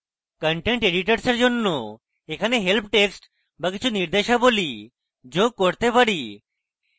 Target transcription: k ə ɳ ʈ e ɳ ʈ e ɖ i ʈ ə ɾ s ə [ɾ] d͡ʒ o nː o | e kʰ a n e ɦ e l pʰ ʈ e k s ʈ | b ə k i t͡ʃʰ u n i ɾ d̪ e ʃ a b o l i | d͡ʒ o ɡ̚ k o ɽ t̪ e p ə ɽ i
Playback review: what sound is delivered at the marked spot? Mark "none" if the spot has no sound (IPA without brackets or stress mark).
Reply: ɾ